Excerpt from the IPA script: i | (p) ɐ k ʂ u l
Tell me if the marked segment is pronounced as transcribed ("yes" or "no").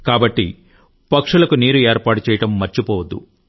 yes